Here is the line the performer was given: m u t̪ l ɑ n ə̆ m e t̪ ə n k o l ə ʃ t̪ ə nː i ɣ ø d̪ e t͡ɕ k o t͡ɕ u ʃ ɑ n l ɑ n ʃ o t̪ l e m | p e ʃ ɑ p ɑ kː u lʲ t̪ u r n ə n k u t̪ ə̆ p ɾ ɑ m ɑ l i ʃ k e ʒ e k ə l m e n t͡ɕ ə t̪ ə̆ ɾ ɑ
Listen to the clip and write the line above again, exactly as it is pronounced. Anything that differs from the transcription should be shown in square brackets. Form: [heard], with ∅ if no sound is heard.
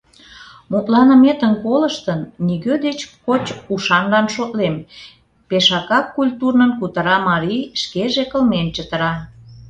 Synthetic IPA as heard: m u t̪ l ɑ n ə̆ m e t̪ ə n k o l ə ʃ t̪ ə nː i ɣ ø d̪ e t͡ɕ k o t͡ɕ u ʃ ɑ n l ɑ n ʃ o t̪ l e m | p e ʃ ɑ [k] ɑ kː u lʲ t̪ u r n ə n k u t̪ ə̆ [∅] ɾ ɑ m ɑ [ɾ] i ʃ k e ʒ e k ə l m e n t͡ɕ ə t̪ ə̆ ɾ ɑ

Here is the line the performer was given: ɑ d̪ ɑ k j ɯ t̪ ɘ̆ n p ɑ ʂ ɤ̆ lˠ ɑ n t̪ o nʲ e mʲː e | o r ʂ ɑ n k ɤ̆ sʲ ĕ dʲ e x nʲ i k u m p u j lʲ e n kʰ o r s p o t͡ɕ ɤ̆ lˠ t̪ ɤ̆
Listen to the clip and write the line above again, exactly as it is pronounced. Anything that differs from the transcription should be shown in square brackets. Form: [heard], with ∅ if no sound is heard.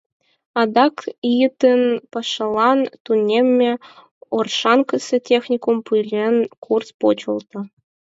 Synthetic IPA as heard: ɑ d̪ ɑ k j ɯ t̪ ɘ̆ n p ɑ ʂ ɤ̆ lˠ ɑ n t̪ [u] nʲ e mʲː e | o r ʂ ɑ n k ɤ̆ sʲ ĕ [tʲ] e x nʲ i k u m p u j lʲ e n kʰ [u] r s p o t͡ɕ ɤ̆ lˠ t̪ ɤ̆

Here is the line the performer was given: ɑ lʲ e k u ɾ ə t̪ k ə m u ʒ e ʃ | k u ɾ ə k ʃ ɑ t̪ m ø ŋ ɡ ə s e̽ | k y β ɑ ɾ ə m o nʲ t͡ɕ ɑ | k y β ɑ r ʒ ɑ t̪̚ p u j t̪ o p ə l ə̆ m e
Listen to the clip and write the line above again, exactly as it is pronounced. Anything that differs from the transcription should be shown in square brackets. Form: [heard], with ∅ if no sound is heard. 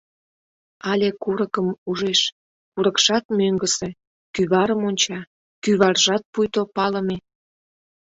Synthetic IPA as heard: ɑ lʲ e k u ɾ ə [∅] k ə m u ʒ e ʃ | k u ɾ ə k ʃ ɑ t̪ m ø ŋ ɡ ə s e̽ | k y β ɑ ɾ ə m o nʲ t͡ɕ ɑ | k y β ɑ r ʒ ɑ t̪̚ p u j t̪ o p [ɑ] l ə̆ m e

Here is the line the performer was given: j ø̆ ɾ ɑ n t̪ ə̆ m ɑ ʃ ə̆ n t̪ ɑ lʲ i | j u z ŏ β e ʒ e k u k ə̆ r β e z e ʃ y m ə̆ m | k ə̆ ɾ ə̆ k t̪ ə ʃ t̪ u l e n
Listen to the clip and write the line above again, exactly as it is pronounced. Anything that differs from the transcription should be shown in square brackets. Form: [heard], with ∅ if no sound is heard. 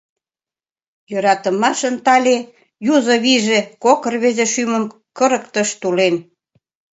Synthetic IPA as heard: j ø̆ ɾ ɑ [∅] t̪ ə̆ m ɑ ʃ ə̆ n t̪ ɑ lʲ [e] | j u z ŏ β [i] ʒ e k [o] k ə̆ r β e z e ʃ y m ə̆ m | k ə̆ ɾ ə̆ k t̪ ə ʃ t̪ u l e n

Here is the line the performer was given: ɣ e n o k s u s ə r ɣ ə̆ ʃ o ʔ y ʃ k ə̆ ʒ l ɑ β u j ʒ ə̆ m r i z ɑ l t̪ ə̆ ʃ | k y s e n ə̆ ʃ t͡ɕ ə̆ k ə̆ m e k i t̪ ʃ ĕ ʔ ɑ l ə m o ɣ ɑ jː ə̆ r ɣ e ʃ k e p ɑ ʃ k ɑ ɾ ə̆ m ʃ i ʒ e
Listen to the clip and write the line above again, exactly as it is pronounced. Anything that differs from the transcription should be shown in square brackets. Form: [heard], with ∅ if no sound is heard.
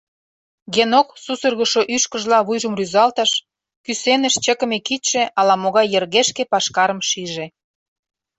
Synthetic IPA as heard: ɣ e n o k s u s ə r ɣ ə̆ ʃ o ʔ y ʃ k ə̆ ʒ l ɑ β u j ʒ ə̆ m r [y] z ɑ l t̪ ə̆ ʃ | k y s e n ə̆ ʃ t͡ɕ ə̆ k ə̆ m e k i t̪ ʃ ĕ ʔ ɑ l [ɑ] m o ɣ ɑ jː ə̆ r ɣ e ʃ k e p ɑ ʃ k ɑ ɾ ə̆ m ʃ i ʒ e

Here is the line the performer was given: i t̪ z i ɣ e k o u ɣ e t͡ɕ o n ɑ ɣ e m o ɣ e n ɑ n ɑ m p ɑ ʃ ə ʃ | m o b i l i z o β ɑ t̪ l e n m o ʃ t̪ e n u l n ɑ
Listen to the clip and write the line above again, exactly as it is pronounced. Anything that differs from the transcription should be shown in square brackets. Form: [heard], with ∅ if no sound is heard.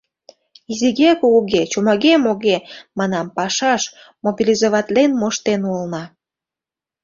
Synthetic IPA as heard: i [∅] z i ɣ e k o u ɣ e t͡ɕ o [m] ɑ ɣ e m o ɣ e [m] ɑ n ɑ m p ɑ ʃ [ɑ] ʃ | m o b i l i z o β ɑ t̪ l e n m o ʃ t̪ e n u l n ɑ

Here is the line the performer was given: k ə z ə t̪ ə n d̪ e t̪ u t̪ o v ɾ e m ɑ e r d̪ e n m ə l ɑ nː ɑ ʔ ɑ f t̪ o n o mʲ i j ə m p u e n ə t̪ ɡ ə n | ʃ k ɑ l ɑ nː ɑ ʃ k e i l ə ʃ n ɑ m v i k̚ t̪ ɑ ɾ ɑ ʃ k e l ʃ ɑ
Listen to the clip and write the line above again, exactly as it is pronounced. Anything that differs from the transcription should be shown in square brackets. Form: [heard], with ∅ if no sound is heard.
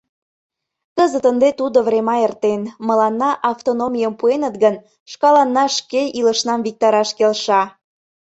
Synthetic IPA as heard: k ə z ə t̪ ə n d̪ e t̪ u [d̪] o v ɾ e m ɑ e r [t̪] e n m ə l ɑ nː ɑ ʔ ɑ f t̪ o n o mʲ i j ə m p u e n ə t̪ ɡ ə n | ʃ k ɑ l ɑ nː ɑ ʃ k e i l ə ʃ n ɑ m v i k̚ t̪ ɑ ɾ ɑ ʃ k e l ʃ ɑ

